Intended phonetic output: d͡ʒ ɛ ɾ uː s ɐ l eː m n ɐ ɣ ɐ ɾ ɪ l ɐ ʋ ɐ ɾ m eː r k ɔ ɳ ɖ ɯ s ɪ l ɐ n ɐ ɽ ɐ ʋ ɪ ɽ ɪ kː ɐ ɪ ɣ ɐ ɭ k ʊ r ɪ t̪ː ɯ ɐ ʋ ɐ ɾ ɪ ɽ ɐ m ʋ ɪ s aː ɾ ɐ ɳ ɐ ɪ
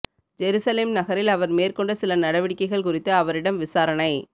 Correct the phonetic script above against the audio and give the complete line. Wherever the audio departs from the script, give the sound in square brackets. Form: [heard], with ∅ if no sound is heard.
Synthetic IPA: d͡ʒ ɛ ɾ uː s ɐ l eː m n ɐ ɣ ɐ ɾ ɪ l ɐ ʋ ɐ ɾ m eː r k ɔ ɳ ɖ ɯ s ɪ l ɐ n ɐ ɽ ɐ ʋ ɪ ɽ ɪ kː ɐ ɪ ɣ ɐ ɭ k ʊ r ɪ t̪ː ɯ ɐ ʋ ɐ ɾ ɪ ɽ ɐ m ʋ ɪ s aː ɾ ɐ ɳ ɐ ɪ